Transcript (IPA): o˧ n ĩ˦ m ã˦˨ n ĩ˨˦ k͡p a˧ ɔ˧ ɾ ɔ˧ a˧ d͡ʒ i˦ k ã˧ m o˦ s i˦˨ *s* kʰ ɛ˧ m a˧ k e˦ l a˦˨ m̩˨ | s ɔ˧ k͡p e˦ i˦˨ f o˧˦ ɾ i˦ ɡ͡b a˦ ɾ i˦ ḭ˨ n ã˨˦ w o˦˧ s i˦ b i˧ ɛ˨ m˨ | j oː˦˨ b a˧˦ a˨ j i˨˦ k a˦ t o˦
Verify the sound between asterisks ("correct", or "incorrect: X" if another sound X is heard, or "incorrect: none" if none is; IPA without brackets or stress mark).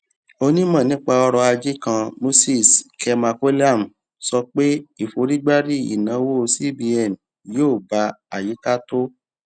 correct